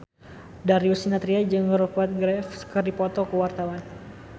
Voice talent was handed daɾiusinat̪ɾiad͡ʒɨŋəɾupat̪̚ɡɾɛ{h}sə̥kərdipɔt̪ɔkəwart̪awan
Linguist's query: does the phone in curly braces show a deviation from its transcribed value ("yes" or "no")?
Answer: yes